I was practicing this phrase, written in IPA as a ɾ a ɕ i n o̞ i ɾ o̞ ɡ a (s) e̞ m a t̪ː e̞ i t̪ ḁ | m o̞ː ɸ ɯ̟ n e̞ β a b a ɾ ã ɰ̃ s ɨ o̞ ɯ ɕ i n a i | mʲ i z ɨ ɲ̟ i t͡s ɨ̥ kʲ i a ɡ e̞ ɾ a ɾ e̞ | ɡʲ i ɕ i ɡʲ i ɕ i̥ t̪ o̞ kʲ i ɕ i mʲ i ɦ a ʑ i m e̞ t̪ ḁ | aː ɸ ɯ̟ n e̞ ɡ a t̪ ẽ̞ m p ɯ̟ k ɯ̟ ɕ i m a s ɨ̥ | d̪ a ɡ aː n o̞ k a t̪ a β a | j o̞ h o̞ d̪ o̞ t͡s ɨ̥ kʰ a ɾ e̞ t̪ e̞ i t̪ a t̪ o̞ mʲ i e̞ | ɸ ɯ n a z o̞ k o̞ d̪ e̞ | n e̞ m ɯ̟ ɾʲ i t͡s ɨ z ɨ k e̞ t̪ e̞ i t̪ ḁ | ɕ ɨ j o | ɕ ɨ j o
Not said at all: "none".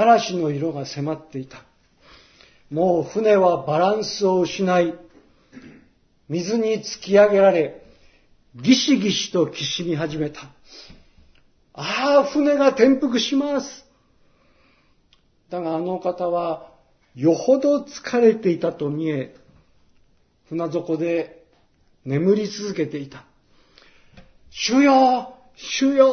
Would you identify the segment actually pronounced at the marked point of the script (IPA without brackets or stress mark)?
s